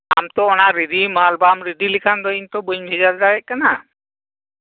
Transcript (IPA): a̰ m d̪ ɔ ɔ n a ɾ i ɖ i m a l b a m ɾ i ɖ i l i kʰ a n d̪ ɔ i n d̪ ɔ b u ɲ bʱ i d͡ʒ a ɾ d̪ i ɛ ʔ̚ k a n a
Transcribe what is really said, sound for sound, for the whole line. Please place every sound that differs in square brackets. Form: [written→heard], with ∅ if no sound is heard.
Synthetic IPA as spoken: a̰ m [d̪→t̪] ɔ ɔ n a ɾ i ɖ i m a l b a m ɾ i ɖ i l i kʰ a n d̪ ɔ i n [d̪→t̪] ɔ b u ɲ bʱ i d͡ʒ a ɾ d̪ [i→a] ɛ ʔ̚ k a n a